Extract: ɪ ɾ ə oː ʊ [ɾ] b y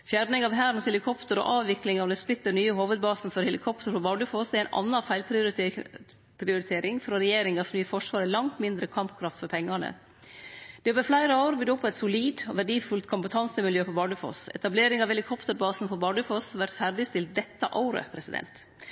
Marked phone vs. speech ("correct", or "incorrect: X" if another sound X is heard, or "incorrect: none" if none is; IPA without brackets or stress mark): correct